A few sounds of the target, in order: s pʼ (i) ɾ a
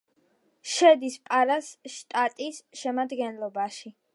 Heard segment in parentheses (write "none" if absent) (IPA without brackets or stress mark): a